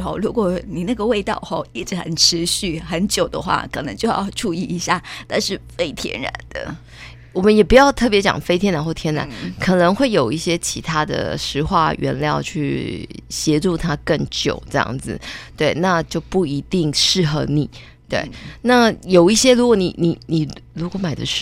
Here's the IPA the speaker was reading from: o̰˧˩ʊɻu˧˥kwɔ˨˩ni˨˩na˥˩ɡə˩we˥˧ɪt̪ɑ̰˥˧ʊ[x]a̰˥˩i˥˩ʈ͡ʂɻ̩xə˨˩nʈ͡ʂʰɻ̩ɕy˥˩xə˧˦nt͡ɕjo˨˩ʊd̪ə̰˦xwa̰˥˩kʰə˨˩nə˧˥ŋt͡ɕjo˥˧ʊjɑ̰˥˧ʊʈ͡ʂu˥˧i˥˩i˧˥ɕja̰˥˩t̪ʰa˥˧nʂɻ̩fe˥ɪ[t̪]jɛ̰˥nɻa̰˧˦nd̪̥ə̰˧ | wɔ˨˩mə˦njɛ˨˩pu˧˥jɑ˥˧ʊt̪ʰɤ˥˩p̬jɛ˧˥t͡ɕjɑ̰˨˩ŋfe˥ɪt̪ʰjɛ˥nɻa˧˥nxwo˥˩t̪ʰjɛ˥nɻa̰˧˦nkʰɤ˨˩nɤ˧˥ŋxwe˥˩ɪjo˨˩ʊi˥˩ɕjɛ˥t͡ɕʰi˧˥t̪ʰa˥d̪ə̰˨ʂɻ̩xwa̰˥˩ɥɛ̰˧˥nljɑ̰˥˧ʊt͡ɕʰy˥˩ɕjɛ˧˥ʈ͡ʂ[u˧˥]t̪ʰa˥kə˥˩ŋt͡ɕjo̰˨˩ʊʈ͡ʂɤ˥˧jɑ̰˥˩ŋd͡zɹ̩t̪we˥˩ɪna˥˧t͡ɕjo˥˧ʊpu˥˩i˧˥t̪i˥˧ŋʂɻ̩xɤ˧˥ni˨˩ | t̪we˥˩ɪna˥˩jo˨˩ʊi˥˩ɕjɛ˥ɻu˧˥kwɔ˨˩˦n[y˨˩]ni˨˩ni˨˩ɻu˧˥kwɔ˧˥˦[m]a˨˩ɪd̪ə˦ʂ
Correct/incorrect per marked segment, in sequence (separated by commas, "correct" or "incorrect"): correct, incorrect, incorrect, incorrect, correct